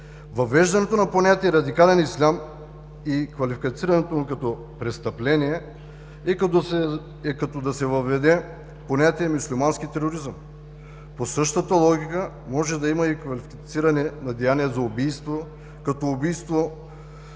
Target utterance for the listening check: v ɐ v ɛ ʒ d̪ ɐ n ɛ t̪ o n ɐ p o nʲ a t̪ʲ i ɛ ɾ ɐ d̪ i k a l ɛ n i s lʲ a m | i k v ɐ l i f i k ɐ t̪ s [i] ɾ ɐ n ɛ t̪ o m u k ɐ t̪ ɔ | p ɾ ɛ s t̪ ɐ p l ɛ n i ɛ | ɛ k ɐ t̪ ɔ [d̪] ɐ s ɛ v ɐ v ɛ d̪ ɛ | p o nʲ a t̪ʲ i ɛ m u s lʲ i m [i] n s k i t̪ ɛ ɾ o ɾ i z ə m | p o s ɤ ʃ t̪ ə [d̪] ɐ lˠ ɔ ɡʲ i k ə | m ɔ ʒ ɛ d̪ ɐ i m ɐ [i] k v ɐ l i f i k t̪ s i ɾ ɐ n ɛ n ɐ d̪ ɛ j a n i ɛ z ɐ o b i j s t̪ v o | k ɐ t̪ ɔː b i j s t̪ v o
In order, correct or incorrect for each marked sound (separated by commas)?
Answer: correct, correct, incorrect, incorrect, correct